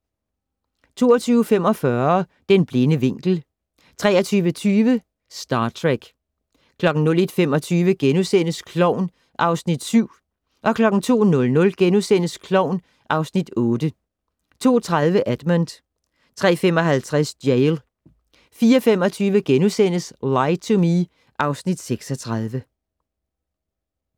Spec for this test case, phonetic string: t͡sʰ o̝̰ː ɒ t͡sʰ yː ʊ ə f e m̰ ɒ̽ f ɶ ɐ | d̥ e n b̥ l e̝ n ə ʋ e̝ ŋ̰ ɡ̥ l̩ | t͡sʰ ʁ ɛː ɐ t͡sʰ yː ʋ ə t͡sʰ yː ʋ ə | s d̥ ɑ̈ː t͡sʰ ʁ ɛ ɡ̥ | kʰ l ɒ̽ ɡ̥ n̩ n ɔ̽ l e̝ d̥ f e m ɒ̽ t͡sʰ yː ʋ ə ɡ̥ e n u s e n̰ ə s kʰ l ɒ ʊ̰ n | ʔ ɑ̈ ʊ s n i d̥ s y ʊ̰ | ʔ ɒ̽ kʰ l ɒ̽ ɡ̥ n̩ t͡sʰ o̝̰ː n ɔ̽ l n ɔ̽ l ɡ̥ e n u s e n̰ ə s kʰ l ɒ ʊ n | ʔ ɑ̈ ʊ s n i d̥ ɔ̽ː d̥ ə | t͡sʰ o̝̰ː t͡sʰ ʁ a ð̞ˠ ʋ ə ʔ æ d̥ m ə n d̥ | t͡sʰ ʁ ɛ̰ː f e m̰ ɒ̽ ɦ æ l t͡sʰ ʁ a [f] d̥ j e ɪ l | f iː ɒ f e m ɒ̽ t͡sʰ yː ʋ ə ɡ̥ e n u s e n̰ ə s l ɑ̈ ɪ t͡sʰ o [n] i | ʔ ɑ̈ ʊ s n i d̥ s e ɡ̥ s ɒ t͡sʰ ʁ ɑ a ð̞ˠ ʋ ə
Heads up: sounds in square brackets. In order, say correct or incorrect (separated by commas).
incorrect, incorrect